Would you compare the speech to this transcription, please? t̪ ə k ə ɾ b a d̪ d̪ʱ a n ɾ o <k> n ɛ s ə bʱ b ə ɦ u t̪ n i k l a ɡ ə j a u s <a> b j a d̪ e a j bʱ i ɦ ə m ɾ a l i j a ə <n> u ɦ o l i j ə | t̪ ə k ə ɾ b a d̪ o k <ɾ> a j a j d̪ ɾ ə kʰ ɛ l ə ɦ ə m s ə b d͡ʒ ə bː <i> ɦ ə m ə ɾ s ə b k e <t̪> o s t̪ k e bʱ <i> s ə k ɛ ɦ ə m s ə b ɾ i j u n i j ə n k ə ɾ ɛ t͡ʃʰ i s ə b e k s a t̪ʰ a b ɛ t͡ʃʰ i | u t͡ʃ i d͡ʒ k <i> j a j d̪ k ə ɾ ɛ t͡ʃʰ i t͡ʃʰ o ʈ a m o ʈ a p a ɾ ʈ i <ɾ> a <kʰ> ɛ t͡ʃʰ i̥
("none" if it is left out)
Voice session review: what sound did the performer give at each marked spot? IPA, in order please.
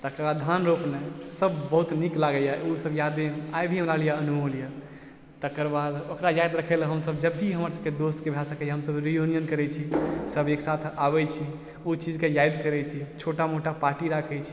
p, ə, n, ɾ, i, d̪, a, e, ɾ, kʰ

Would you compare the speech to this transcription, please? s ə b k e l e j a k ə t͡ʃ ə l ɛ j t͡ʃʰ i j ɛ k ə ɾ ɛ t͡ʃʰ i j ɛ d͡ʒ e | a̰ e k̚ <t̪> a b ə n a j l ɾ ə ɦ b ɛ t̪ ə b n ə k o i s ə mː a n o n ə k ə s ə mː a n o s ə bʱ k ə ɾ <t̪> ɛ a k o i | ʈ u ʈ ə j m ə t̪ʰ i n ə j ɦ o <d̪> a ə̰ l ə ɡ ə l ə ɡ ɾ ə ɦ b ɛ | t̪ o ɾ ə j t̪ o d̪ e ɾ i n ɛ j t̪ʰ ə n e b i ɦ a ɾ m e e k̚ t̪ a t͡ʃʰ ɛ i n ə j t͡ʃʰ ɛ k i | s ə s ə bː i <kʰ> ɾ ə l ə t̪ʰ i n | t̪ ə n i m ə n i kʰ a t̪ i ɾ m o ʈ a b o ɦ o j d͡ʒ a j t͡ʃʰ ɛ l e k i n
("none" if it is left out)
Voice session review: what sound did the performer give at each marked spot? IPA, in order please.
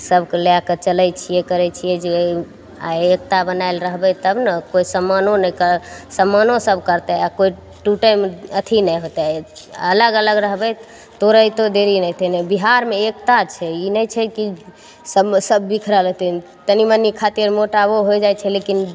t̪, t̪, t̪, kʰ

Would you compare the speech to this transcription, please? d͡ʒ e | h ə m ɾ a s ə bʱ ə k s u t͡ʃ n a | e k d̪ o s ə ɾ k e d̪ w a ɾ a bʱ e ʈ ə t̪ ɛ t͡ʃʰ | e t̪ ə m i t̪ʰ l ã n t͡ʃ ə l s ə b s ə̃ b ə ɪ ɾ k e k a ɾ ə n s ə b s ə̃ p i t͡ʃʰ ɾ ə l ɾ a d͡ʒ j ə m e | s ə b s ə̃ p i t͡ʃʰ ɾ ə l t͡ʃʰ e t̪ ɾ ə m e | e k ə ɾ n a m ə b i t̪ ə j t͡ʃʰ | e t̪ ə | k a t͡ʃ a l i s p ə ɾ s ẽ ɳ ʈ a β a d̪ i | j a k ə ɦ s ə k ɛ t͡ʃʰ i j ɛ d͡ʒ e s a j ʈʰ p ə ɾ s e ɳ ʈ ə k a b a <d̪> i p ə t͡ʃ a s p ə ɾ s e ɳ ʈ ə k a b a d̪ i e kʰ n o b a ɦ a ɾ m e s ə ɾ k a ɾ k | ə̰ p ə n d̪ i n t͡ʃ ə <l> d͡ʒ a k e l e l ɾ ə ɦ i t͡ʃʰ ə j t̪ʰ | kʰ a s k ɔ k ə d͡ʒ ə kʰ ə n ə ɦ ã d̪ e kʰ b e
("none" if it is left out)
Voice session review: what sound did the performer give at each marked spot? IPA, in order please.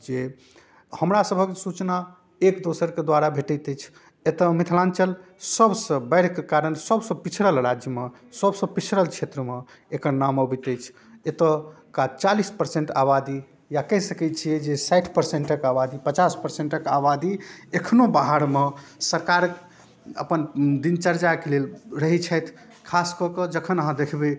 d̪, ɾ

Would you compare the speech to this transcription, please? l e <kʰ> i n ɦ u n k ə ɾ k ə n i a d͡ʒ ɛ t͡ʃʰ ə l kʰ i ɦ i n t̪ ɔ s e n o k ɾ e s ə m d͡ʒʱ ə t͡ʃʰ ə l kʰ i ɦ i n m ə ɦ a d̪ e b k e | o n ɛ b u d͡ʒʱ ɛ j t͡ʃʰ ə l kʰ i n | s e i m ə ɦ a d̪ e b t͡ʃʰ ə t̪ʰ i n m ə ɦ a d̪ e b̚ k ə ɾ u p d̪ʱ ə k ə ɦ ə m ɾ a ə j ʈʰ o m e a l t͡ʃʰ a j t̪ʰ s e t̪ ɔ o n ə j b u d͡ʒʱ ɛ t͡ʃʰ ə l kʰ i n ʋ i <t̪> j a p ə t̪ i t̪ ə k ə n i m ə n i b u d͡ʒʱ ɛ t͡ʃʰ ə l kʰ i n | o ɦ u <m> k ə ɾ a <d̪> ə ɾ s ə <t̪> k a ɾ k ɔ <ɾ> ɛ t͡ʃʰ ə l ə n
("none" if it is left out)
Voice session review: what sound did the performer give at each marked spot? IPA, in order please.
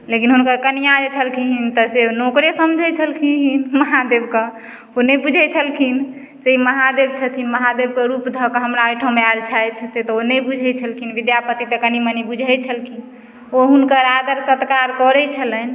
k, d̪, n, d̪, t̪, ɾ

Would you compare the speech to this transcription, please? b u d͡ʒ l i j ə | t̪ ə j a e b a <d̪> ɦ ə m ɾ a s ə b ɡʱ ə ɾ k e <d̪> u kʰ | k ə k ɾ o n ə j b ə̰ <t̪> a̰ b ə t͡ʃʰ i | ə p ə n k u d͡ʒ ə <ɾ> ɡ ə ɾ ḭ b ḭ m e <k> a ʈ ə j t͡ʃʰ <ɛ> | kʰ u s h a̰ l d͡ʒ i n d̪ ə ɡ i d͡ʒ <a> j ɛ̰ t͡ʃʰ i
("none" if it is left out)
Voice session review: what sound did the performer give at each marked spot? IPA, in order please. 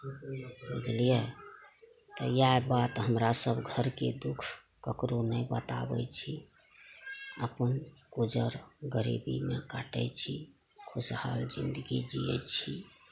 t̪, d̪, t̪, ɾ, k, i, i

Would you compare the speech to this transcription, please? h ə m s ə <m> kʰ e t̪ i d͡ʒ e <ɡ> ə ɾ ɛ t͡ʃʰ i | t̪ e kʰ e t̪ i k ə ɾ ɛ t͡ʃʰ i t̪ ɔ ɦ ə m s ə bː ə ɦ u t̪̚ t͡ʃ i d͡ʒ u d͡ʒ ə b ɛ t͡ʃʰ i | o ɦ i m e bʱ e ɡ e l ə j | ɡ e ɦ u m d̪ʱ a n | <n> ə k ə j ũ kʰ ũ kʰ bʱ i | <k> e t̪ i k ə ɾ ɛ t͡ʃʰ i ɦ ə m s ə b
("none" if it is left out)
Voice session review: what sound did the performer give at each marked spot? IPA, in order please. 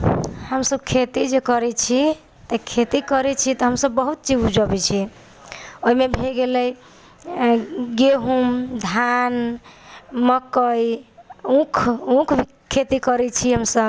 b, k, m, kʰ

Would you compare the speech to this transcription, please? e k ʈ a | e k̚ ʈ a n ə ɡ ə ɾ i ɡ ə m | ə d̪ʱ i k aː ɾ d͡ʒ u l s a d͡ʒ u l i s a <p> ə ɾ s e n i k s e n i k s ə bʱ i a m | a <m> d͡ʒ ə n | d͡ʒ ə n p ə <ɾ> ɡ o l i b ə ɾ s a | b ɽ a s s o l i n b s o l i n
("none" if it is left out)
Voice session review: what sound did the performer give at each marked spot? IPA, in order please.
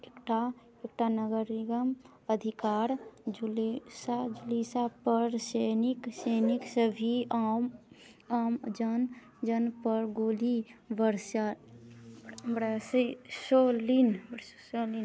p, m, ɾ

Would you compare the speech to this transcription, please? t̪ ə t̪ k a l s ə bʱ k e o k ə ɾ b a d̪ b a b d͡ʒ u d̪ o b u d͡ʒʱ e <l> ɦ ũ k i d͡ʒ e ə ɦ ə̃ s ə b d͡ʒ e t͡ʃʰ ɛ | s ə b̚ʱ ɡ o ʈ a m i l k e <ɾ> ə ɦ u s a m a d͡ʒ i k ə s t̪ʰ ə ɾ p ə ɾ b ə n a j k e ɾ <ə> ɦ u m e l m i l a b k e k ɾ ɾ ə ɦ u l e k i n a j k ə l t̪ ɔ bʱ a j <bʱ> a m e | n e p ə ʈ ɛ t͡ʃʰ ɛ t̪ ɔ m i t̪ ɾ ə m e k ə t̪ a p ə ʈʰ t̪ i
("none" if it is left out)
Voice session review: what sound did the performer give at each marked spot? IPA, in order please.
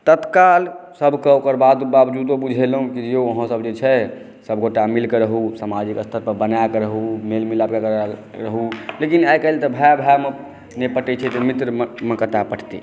l, ɾ, ə, bʱ

